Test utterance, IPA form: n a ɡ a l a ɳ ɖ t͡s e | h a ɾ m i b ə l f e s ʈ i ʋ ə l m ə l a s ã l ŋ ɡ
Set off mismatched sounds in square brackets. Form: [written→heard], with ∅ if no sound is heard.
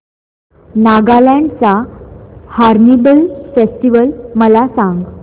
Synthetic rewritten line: n a ɡ a l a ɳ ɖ t͡s [e→a] | h a ɾ [m→n] i b ə l f e s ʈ i ʋ ə l m ə l a s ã [l→∅] ŋ ɡ